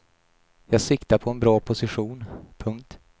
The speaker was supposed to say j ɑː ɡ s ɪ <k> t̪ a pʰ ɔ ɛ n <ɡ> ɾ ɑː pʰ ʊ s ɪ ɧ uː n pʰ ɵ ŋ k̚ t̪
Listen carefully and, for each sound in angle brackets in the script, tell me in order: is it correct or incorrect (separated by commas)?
correct, incorrect